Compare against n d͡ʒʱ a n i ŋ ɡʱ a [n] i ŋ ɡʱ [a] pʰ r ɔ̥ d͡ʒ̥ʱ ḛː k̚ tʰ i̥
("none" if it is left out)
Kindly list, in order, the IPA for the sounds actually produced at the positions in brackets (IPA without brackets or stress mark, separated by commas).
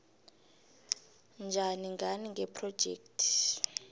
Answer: n, ɛ